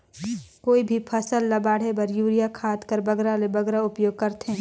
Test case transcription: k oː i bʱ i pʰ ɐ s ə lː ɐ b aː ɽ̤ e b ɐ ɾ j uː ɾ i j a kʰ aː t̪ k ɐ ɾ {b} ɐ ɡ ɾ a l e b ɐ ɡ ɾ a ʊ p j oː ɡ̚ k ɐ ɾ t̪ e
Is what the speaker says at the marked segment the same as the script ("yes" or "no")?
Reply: yes